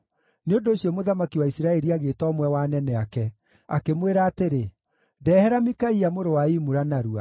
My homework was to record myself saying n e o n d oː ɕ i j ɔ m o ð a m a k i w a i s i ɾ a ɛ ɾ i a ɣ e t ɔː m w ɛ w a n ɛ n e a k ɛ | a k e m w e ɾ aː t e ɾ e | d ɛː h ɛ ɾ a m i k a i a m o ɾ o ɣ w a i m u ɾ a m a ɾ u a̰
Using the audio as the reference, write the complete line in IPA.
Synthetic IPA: n e o n d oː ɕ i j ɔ m o ð a m a k i w a i s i ɾ a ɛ ɾ i a ɣ e t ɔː m w ɛ w a n ɛ n ɛ a k ɛ | a k e m w e ɾ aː t e ɾ e | d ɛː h ɛ ɾ a m i k a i a m o ɾ o w a i m u ɾ a n a ɾ u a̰